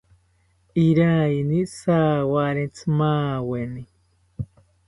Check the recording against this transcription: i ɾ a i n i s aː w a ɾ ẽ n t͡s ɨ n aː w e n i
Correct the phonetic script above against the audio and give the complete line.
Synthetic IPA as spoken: i ɾ a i n i s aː w a ɾ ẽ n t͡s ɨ m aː w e n i